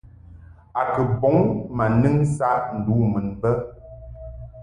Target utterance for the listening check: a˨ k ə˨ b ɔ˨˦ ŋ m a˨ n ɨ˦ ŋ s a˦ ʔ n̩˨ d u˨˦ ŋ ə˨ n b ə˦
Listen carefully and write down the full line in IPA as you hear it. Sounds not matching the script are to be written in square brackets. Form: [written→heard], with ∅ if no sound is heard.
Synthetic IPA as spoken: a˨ k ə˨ b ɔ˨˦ ŋ m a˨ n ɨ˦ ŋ s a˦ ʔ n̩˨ d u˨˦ [ŋ→m] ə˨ n b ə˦